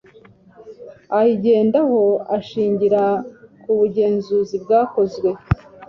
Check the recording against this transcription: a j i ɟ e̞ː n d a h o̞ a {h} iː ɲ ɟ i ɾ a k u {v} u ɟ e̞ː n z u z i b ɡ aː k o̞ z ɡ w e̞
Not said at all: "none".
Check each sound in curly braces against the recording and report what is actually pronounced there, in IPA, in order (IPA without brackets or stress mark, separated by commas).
ʃ, β